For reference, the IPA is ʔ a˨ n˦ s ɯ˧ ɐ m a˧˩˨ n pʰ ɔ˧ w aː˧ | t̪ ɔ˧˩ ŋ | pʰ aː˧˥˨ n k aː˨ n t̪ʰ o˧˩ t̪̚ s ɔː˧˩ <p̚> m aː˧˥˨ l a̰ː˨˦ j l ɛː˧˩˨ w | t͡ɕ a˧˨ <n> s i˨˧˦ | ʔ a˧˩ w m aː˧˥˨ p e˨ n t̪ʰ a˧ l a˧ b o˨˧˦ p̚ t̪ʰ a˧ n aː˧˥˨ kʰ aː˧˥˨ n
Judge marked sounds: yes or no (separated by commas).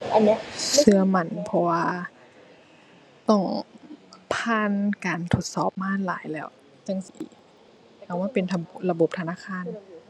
yes, no